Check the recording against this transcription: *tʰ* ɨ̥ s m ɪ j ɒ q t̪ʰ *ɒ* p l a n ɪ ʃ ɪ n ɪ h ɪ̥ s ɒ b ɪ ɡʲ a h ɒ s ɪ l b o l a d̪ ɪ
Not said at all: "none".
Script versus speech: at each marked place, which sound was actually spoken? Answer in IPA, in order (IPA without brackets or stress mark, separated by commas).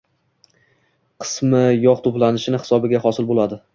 qʰ, o